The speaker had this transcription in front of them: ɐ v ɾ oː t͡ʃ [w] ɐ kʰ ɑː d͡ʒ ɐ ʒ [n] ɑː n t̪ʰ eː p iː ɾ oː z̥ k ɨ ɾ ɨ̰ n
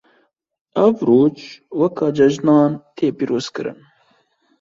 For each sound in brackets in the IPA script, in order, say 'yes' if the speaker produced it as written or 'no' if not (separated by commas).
yes, yes